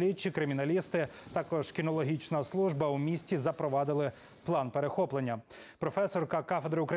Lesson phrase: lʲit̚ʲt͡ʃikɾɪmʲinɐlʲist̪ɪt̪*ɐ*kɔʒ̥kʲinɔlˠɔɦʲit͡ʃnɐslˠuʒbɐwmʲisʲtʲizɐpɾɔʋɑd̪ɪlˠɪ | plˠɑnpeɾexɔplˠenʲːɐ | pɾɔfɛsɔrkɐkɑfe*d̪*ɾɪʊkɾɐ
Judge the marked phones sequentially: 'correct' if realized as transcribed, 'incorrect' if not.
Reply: incorrect, correct

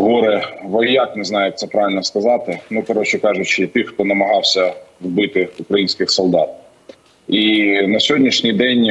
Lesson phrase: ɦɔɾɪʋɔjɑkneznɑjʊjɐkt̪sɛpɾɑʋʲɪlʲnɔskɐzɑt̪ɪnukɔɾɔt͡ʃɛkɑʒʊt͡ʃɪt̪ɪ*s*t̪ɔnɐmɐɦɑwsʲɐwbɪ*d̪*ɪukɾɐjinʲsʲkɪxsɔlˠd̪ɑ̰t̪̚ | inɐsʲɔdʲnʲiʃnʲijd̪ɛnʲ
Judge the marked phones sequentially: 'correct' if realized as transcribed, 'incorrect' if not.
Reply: incorrect, incorrect

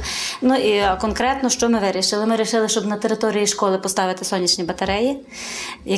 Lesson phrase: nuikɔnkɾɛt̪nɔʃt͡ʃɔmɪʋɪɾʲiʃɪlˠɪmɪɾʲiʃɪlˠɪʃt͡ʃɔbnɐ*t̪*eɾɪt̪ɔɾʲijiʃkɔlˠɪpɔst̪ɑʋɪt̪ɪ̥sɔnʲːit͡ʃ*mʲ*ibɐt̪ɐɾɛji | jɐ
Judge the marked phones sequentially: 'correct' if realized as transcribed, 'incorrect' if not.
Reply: correct, incorrect

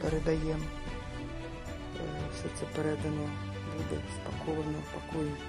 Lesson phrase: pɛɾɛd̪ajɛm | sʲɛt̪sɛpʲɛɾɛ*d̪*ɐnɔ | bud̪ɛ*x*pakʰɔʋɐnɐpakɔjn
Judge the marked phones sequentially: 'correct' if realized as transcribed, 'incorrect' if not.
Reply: correct, incorrect

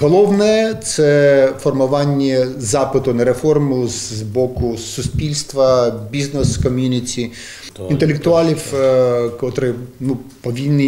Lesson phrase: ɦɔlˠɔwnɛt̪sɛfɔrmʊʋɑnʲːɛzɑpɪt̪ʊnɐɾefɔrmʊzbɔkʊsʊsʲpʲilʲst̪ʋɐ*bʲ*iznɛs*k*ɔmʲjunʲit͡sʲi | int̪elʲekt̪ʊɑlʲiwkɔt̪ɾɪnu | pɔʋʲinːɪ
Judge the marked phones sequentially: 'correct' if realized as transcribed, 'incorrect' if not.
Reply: correct, correct

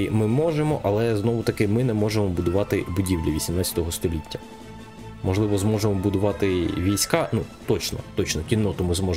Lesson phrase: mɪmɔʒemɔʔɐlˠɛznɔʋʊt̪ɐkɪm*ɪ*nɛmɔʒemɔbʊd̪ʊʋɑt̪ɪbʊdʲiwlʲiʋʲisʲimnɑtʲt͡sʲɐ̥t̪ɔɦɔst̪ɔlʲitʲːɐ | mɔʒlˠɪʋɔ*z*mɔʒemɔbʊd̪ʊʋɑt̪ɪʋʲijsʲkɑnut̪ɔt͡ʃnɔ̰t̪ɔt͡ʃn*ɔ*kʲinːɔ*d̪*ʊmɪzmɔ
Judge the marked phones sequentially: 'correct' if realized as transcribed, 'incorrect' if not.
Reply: correct, correct, correct, incorrect

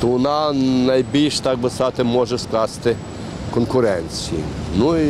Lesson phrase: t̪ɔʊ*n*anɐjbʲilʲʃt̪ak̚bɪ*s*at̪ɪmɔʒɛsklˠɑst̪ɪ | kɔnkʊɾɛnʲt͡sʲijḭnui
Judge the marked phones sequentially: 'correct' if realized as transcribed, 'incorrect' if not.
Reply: correct, correct

